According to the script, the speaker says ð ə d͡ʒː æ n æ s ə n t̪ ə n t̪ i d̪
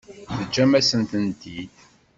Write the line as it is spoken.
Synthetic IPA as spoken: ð ə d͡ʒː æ m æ s ə n t̪ ə n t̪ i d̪

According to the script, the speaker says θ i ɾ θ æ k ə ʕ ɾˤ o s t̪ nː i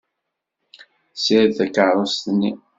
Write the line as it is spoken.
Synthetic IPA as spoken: s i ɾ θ æ k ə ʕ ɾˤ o s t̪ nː i

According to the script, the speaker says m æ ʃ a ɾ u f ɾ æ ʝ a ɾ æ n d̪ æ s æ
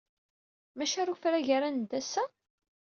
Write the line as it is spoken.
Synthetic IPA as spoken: m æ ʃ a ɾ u f ɾ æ ʝ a ɾ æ n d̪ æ s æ

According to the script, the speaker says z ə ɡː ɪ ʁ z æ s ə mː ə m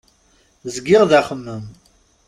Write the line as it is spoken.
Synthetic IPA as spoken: z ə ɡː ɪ ʁ ð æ χ ə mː ə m

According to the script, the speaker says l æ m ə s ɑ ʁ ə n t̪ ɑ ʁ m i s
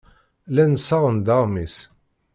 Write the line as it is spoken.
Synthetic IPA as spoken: l æ n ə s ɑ ʁ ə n d̪ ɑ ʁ m i s

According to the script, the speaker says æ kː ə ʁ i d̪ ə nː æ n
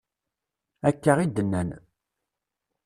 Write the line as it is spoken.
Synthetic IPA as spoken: æ kː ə ʁ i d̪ ə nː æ n

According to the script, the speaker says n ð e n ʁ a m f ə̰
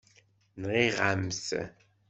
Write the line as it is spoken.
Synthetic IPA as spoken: n ʁ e ʁ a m s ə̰

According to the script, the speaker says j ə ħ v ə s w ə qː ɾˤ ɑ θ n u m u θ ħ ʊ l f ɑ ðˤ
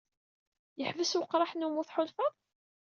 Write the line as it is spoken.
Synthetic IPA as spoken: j ə ħ v ə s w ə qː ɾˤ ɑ ħ n u m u θ ħ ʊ l f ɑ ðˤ

